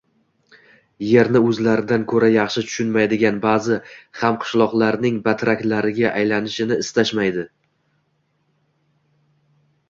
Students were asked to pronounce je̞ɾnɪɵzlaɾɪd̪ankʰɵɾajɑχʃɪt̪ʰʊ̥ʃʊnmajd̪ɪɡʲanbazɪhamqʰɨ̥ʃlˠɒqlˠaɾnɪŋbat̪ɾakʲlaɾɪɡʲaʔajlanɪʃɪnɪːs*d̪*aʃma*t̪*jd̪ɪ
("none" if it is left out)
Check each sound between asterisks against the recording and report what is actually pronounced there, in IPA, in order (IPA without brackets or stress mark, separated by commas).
t̪, none